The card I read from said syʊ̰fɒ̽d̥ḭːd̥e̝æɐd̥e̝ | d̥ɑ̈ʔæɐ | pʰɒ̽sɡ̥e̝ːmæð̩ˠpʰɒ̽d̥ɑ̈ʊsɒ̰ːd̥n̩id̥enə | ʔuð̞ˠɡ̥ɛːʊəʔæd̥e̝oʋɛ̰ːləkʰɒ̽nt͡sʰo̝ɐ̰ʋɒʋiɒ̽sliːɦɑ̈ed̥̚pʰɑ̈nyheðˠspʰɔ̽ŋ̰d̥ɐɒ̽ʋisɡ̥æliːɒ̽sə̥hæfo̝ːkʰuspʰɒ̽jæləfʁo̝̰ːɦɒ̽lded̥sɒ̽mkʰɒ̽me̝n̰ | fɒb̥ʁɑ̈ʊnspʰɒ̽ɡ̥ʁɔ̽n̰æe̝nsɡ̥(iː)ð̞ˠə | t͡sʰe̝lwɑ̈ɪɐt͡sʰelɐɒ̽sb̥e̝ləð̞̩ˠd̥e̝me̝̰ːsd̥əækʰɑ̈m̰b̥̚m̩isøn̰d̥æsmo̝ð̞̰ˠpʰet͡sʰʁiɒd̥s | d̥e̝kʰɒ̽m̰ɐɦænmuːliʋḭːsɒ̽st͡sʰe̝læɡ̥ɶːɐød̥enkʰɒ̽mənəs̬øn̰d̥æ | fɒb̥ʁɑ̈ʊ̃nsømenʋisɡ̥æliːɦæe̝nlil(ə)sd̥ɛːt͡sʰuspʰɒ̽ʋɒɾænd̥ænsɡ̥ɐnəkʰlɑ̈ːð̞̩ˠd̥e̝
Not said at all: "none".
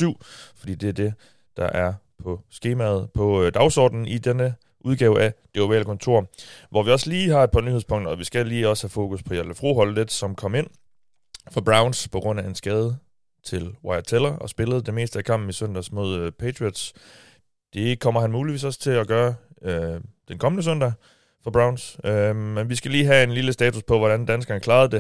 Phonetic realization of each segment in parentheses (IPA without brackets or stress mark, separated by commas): ɛː, ə